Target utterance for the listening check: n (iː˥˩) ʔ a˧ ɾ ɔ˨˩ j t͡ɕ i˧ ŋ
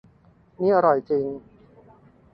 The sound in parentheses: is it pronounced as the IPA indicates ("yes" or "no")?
no